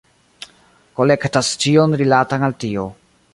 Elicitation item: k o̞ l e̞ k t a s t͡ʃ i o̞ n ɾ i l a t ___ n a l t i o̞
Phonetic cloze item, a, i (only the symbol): a